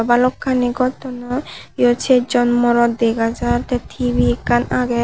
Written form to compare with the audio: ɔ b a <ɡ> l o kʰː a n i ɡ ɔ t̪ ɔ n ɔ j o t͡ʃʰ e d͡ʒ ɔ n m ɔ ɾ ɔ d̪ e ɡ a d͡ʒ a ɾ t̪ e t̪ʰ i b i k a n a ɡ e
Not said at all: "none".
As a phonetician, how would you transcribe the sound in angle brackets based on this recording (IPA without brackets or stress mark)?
none